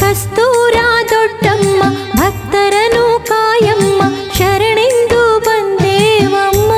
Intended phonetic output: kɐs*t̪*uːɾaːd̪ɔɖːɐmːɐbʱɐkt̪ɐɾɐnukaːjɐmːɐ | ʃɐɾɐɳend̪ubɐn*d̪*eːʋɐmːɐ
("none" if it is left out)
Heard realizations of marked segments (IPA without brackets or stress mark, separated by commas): t̪, d̪